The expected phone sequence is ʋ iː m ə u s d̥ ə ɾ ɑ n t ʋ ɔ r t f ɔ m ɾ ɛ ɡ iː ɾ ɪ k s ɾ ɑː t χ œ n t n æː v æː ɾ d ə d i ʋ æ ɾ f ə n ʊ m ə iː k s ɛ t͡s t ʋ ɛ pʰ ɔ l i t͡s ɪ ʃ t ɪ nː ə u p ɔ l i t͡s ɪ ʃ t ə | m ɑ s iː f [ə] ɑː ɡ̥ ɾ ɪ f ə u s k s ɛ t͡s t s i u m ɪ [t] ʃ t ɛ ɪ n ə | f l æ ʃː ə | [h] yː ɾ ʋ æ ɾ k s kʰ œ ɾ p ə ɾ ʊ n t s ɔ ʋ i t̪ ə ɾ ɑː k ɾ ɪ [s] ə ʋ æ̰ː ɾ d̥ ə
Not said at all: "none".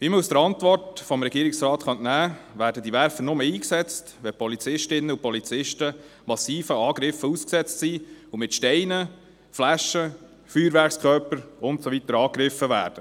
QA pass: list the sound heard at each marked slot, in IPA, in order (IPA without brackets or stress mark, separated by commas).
ə, t, f, f